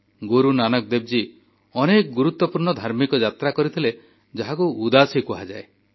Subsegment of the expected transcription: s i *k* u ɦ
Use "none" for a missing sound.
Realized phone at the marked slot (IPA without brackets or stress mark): k